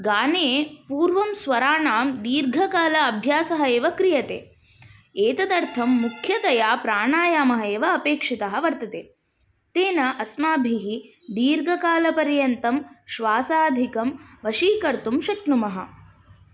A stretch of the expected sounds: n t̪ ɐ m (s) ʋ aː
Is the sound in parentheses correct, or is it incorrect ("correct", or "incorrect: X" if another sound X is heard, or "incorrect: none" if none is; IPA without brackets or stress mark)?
incorrect: ʃ